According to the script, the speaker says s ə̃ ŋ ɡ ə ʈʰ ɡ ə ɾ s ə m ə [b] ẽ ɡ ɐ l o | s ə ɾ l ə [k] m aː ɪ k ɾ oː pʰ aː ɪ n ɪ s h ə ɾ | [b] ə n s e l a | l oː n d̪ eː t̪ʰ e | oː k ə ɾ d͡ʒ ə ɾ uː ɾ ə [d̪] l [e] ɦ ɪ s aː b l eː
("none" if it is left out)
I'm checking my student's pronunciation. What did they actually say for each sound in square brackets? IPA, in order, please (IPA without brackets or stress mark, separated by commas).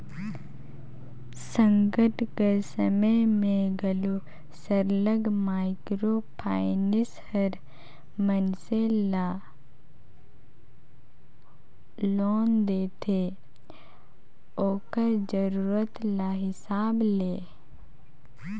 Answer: m, ɡ, m, t̪, a